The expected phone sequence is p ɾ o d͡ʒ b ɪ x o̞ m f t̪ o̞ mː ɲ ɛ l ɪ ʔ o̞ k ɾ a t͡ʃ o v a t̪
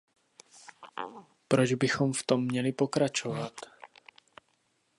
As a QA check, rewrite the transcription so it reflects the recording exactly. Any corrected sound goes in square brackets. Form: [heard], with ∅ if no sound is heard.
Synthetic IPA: p ɾ o d͡ʒ b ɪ x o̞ m f t̪ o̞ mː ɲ ɛ l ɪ [p] o̞ k ɾ a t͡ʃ o v a t̪

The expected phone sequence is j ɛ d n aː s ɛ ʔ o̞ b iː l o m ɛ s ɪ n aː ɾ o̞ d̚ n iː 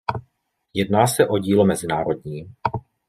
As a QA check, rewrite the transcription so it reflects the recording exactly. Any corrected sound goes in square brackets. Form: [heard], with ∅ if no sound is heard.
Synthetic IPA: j ɛ d n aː s ɛ ʔ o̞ [ɟ] iː l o m ɛ [z] ɪ n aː ɾ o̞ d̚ [ɲ] iː

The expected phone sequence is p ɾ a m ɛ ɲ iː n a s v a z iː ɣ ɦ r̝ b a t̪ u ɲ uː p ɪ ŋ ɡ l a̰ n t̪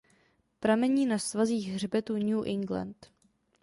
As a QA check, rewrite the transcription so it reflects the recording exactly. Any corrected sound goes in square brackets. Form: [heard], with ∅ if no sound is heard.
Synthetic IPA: p ɾ a m ɛ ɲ iː n a s v a z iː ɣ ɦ r̝ b [ɛ] t̪ u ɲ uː [ʔ] ɪ ŋ ɡ l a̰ n t̪

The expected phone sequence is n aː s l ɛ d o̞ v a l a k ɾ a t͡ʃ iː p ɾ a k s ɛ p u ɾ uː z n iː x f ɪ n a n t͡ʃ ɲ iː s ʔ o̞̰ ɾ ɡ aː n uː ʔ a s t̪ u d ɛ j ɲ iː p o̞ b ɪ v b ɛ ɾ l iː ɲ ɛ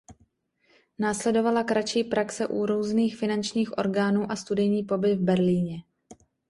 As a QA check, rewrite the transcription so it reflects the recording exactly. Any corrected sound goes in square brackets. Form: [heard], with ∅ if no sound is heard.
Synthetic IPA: n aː s l ɛ d o̞ v a l a k ɾ a t͡ʃ iː p ɾ a k s ɛ [ʔ] u ɾ uː z n iː x f ɪ n a n t͡ʃ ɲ iː [x] ʔ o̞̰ ɾ ɡ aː n uː ʔ a s t̪ u d ɛ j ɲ iː p o̞ b ɪ v b ɛ ɾ l iː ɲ ɛ

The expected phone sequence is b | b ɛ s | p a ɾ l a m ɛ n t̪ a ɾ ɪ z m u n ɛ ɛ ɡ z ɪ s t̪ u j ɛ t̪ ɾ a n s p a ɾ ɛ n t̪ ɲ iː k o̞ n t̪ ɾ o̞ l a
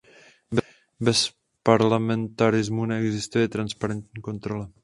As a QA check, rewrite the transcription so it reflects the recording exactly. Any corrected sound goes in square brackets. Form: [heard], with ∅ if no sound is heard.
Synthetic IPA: b | b ɛ s | p a ɾ l a m ɛ n t̪ a ɾ ɪ z m u n ɛ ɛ ɡ z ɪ s t̪ u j ɛ t̪ ɾ a n s p a ɾ ɛ n t̪ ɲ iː k o̞ n t̪ ɾ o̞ l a

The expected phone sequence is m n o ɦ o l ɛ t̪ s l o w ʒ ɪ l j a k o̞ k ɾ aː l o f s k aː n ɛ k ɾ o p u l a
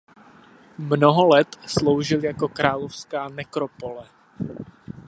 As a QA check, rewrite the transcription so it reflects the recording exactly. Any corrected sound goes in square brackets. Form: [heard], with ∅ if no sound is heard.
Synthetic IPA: m n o ɦ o l ɛ t̪ s l o w ʒ ɪ l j a k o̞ k ɾ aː l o f s k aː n ɛ k ɾ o p [o] l [ɛ]

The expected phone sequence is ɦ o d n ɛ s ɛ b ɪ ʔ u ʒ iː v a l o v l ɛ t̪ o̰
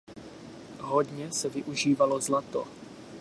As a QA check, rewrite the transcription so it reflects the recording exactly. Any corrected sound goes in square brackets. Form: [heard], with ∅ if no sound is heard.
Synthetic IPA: ɦ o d [ɲ] ɛ s ɛ [v] ɪ ʔ u ʒ iː v a l o [z] l [a] t̪ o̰

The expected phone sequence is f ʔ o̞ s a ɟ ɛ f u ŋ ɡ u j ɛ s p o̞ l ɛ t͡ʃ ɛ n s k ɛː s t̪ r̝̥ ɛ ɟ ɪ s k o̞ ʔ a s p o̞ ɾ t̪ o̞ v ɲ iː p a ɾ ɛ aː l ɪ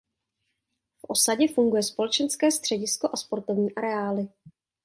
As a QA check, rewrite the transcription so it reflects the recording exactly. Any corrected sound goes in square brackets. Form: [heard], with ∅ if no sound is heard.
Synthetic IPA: f ʔ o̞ s a ɟ ɛ f u ŋ ɡ u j ɛ s p o̞ l ɛ t͡ʃ ɛ n s k ɛː s t̪ r̝̥ ɛ ɟ ɪ s k o̞ ʔ a s p o̞ ɾ t̪ o̞ v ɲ iː [ʔ] a ɾ ɛ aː l ɪ

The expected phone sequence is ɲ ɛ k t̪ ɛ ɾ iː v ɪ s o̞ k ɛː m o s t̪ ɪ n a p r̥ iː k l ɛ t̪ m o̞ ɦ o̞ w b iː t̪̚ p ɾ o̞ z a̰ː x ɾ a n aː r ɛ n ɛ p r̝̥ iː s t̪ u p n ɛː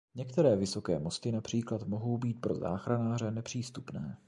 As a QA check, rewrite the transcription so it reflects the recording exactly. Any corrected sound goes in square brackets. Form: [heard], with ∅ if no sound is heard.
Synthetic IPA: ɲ ɛ k t̪ ɛ ɾ [ɛː] v ɪ s o̞ k ɛː m o s t̪ ɪ n a p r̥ iː k l [a] t̪ m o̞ ɦ o̞ w b iː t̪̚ p ɾ o̞ z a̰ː x ɾ a n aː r ɛ n ɛ p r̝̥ iː s t̪ u p n ɛː

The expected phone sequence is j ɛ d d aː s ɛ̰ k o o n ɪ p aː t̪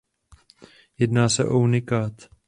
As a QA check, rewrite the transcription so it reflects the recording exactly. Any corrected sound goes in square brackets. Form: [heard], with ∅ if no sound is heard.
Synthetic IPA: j ɛ d [n] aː s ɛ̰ [ʔ] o [u] n ɪ [k] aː t̪

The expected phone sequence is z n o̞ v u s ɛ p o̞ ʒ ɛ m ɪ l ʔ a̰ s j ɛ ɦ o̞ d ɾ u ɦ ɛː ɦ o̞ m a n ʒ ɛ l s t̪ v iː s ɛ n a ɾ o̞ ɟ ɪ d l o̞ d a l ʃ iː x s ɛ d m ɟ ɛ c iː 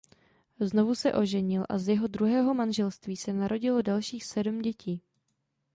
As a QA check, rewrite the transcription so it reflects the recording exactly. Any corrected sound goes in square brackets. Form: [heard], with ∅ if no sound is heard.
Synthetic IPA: z n o̞ v u s ɛ [ʔ] o̞ ʒ ɛ [ɲ] ɪ l ʔ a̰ [z] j ɛ ɦ o̞ d ɾ u ɦ ɛː ɦ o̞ m a n ʒ ɛ l s t̪ v iː s ɛ n a ɾ o̞ ɟ ɪ [∅] l o̞ d a l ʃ iː x s ɛ d m ɟ ɛ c iː

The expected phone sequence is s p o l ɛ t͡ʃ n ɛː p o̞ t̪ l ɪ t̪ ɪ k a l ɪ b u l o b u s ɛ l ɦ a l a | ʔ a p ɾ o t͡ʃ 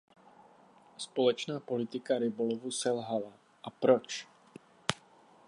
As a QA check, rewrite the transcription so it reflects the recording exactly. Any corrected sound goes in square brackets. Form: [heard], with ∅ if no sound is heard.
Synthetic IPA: s p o l ɛ t͡ʃ n [aː] p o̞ [∅] l ɪ t̪ ɪ k a [ɾ] ɪ b [o] l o [v] u s ɛ l ɦ a l a | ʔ a p ɾ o t͡ʃ

